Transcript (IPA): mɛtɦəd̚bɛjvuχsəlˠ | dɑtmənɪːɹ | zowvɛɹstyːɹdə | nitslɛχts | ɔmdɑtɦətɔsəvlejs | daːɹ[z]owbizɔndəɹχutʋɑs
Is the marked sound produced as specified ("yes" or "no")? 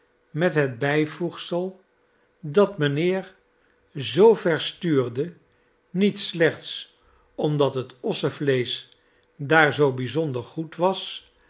yes